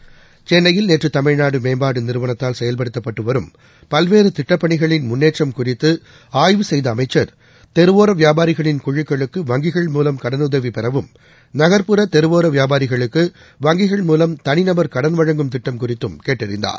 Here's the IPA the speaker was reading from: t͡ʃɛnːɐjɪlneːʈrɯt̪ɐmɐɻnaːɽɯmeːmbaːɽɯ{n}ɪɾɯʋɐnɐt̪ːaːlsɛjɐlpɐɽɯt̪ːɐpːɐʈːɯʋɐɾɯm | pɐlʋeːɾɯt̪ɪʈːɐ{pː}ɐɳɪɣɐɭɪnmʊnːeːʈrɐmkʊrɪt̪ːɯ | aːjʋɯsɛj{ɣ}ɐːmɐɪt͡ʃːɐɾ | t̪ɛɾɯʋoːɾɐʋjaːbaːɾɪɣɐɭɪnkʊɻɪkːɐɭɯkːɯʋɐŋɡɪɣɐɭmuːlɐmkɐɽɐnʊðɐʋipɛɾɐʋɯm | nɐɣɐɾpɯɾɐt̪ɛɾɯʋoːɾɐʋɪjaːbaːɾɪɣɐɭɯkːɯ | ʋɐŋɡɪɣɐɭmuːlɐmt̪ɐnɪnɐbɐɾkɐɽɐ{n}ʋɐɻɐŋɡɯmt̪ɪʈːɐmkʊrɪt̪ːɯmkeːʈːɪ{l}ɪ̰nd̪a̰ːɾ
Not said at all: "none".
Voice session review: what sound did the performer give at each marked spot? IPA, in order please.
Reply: n, pː, ð, n, ɾ

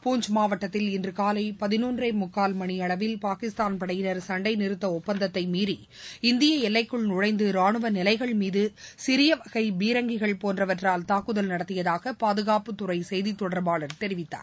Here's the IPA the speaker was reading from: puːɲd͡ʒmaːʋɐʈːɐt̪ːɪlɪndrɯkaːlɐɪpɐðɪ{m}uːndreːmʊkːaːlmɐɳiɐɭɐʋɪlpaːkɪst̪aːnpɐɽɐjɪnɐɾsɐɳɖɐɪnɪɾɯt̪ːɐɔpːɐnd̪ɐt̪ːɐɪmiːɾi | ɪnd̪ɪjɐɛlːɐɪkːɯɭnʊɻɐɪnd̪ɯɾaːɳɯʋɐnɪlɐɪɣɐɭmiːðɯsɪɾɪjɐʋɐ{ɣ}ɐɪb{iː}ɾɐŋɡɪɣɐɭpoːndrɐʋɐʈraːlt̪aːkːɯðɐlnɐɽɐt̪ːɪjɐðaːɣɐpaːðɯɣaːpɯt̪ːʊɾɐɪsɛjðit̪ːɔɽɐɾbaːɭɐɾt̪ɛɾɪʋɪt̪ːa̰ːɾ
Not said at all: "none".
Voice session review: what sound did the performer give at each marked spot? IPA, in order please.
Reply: n, ɣ, iː

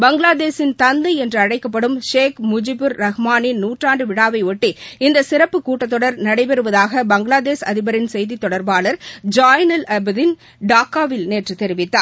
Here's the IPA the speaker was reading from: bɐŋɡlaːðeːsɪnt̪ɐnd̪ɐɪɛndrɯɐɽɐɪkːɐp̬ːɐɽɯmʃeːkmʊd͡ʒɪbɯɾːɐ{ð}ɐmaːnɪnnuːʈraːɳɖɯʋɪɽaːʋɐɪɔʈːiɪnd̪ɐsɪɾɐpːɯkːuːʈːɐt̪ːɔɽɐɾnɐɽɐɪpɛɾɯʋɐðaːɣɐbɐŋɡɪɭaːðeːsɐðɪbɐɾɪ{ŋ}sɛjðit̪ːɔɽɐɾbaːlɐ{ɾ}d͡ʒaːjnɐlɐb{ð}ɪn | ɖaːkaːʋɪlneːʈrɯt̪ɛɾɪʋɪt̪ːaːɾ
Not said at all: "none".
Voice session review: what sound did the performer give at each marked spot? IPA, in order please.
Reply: ɣ, n, ɾ, ð

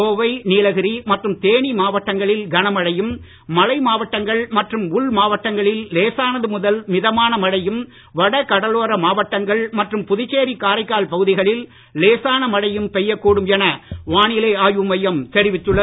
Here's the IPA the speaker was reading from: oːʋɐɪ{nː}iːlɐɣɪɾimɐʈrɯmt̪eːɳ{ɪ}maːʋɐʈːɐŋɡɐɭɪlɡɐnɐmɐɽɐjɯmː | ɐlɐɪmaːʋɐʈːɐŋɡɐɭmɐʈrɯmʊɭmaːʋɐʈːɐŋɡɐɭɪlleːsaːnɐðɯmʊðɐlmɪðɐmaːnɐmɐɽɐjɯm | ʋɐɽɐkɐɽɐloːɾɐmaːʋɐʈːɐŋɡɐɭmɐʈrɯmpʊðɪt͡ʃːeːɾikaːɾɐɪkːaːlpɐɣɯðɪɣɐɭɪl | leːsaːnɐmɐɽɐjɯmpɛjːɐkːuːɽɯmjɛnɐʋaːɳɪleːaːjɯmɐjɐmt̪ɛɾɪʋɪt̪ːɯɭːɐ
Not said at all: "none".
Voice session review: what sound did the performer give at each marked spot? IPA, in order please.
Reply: n, i

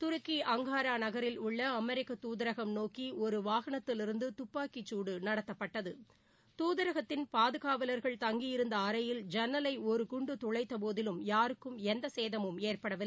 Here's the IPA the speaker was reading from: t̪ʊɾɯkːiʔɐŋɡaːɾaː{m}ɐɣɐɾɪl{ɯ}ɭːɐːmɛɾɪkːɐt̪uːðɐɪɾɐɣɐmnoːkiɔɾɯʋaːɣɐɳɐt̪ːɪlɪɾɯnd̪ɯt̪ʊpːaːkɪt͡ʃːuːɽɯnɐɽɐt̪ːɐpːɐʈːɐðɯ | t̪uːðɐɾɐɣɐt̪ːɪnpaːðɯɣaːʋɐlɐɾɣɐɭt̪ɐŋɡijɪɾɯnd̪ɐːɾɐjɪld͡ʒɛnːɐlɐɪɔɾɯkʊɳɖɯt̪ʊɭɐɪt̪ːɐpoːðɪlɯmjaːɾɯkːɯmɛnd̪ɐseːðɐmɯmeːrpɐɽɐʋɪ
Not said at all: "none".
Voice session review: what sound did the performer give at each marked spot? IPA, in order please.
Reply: n, ʊ

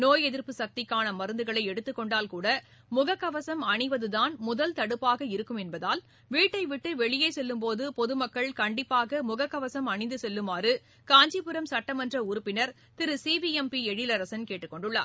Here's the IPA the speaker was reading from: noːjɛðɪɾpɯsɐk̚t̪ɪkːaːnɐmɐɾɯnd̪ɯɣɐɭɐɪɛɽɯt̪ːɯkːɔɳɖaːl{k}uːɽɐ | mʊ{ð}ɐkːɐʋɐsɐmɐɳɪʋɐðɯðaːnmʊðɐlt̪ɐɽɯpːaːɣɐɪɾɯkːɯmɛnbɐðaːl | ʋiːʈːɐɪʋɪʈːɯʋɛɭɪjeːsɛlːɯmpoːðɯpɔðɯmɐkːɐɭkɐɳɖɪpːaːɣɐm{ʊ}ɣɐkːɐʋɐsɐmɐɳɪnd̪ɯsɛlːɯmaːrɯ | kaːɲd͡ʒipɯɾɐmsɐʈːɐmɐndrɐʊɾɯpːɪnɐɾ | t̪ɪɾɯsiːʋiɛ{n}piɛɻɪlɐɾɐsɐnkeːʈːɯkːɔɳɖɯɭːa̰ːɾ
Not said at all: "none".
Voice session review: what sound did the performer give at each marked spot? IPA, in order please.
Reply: k, ɣ, ʊ, m

